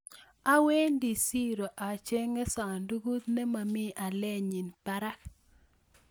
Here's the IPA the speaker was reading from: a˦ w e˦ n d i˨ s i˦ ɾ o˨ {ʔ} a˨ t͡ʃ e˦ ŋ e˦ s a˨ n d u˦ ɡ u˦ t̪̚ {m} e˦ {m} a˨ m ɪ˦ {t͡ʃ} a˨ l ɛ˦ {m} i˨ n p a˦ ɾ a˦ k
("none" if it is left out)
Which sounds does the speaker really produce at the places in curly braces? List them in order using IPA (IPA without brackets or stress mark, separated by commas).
ʔ, n, m, none, ɲ